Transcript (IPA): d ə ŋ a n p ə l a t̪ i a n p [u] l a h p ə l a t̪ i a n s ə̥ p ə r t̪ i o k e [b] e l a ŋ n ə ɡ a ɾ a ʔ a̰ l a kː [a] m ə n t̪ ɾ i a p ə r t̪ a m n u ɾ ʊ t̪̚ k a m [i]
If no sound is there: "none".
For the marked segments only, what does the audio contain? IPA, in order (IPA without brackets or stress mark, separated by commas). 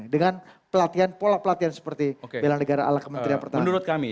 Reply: o, b, ə, i